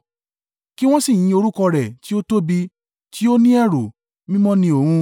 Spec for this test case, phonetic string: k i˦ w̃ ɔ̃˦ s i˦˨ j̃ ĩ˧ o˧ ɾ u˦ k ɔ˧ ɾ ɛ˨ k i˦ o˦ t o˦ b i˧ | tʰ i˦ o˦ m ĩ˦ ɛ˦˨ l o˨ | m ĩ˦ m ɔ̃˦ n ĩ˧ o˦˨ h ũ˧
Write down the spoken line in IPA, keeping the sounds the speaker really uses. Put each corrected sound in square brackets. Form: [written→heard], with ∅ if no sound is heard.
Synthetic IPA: k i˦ w̃ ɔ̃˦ s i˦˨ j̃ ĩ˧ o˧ ɾ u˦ k ɔ˧ ɾ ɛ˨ [k→t] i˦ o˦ t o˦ b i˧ | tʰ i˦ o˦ [m→n] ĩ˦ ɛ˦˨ [l→ɾ] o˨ | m ĩ˦ m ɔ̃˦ n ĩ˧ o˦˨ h ũ˧